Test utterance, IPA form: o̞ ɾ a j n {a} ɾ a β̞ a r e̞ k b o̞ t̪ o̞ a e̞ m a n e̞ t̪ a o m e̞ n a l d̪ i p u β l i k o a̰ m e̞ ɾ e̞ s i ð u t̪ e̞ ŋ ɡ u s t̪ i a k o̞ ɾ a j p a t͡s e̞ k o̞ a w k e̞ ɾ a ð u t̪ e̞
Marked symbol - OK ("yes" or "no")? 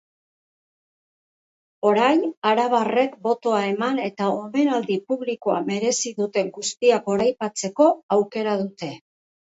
yes